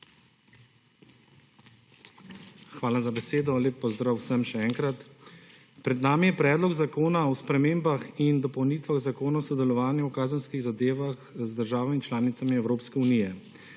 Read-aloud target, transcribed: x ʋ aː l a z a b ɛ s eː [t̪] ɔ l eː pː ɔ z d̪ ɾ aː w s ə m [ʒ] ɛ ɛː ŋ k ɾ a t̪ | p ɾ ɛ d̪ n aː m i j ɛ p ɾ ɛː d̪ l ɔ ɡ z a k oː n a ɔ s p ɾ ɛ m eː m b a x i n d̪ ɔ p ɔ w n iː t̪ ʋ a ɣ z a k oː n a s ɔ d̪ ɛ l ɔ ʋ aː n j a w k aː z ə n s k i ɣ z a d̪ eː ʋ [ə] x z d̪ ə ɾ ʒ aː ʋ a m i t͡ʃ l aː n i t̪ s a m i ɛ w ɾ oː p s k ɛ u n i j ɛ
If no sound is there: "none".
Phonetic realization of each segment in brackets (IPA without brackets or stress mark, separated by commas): d̪, ʃ, a